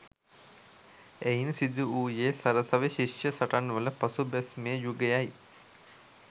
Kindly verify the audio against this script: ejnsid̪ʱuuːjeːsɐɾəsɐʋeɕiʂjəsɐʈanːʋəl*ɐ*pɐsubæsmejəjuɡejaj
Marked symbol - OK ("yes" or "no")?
no